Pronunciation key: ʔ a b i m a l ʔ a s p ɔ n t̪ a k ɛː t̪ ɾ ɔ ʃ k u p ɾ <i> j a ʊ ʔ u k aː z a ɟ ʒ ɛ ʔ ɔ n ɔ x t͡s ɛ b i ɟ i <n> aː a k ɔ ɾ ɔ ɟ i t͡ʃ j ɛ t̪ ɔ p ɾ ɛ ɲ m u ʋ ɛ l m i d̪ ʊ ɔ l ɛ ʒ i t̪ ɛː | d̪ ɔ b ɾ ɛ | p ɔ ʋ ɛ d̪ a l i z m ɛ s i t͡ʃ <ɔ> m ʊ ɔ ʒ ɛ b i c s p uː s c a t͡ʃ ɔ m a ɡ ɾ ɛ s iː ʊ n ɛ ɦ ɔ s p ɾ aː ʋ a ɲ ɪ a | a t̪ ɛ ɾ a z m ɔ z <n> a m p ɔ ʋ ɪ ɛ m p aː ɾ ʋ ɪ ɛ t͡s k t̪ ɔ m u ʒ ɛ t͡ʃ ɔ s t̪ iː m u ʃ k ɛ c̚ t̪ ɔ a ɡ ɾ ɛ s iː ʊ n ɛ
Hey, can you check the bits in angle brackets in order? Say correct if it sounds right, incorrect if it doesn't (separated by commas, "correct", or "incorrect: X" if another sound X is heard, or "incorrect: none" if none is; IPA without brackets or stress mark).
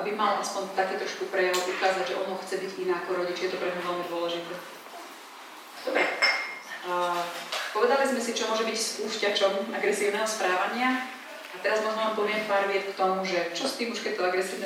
incorrect: ɛ, correct, correct, incorrect: m